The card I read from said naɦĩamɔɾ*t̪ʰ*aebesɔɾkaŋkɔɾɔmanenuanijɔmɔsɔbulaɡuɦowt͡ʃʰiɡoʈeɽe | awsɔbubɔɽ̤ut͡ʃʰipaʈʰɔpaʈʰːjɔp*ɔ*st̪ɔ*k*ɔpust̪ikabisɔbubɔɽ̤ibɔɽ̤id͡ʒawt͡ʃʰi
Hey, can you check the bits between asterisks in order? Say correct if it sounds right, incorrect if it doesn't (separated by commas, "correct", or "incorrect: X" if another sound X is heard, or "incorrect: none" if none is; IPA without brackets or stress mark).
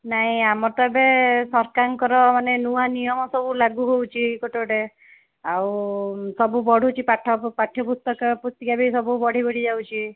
incorrect: t̪, incorrect: u, correct